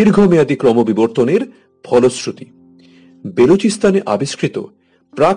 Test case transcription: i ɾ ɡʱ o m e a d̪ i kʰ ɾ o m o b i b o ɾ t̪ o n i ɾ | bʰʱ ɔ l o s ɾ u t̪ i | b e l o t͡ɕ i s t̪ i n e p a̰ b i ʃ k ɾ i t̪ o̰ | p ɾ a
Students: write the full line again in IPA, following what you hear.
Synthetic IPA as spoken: i ɾ ɡʱ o m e a d̪ i k ɾ ɔ m o b i b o ɾ t̪ o n e ɾ | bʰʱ ɔ l o s ɾ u t̪ i | b e l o t͡ɕ i s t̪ a n e ʔ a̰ b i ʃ k ɾ i t̪ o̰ | p ɾ a